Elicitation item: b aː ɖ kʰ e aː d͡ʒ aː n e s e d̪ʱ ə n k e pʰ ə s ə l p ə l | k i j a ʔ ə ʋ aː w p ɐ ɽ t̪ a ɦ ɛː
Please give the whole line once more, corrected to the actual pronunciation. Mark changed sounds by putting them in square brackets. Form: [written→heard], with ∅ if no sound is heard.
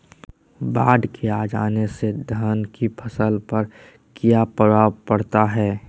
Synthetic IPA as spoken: b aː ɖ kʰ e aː d͡ʒ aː n e s e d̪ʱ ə n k [e→i] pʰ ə s ə l p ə [l→ɾ] | k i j a [ʔ→p] ə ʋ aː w p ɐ ɽ t̪ a ɦ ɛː

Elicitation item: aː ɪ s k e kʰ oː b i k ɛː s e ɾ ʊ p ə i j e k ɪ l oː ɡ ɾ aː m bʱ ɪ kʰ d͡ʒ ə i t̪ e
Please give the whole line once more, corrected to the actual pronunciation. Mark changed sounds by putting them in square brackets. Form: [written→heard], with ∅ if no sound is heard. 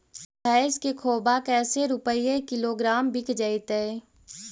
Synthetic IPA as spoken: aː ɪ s k e kʰ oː b [i→a] k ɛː s e ɾ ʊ p ə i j e k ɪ l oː ɡ ɾ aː m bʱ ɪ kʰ d͡ʒ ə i t̪ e

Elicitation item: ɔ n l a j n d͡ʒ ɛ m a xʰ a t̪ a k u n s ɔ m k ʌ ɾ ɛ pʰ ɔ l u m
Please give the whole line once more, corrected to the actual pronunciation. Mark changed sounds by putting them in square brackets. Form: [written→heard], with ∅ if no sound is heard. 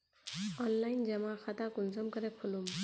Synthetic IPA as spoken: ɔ n l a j n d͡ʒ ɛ m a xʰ a t̪ a k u n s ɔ m k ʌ ɾ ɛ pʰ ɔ l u m

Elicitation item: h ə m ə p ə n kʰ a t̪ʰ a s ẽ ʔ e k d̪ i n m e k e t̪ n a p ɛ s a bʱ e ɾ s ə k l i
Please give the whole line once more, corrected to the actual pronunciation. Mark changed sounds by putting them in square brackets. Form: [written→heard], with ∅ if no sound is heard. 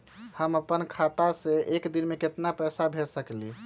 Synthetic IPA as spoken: h ə m ə p ə n kʰ a [t̪ʰ→t̪] a s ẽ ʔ e k d̪ i n m e k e t̪ n a p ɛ s a bʱ e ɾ s ə k l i

